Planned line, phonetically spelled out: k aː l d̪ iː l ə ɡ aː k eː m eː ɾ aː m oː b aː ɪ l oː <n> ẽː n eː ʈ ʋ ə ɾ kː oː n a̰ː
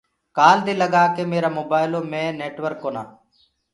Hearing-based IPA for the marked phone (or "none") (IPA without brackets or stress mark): m